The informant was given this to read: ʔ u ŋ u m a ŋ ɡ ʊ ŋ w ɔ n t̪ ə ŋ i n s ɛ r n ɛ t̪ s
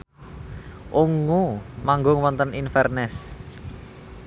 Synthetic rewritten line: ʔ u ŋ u m a ŋ ɡ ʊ ŋ w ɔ n t̪ ə n i n f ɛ r n ɛ s

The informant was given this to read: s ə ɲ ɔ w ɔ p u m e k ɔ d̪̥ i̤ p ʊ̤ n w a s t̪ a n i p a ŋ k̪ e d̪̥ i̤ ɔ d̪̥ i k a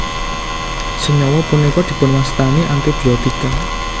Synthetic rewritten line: s ə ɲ ɔ w ɔ p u n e k ɔ d̪̥ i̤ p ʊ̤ n w a s t̪ a n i ʔ a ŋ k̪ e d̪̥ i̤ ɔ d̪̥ i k a

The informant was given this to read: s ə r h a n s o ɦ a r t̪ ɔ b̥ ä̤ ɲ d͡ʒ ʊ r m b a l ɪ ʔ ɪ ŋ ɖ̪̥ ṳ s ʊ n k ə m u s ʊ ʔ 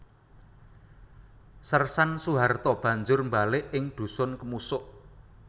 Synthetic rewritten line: s ə r s a n s u ɦ a r t̪ ɔ b̥ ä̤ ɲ d͡ʒ ʊ r m b a l ɪ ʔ ɪ ŋ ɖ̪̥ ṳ s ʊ n k ə m u s ʊ ʔ

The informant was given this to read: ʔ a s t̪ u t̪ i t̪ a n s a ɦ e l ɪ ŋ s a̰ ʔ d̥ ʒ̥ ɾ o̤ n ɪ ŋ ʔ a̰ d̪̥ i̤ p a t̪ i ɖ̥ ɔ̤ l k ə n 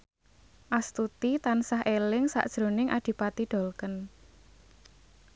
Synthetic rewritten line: ʔ a s t̪ u t̪ i t̪ a n s a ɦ e l ɪ ŋ s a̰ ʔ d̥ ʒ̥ ɾ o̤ n ɪ ŋ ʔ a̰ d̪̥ i̤ p a t̪ i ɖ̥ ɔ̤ l k ə n

